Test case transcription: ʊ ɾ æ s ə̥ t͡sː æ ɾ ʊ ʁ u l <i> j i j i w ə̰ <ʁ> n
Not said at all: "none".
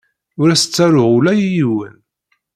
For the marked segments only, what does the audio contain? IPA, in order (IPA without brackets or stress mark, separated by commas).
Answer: æ, none